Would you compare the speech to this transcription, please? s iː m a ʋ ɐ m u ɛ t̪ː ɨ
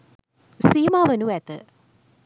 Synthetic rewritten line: s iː m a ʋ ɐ n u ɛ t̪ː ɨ